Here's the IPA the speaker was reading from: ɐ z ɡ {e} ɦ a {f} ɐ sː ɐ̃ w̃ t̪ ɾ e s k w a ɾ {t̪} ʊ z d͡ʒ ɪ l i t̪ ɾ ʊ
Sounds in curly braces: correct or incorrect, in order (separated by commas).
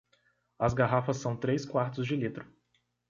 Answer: incorrect, correct, correct